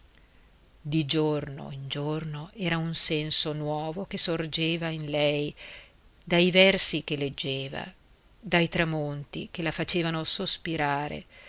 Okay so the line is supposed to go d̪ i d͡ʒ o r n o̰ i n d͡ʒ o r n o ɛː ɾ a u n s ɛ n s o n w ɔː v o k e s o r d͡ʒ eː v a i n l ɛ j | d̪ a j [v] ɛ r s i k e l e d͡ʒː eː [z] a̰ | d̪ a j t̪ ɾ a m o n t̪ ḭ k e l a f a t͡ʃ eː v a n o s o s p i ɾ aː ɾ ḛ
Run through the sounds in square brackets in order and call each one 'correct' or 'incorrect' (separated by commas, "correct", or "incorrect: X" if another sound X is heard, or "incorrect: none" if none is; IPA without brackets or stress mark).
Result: correct, incorrect: v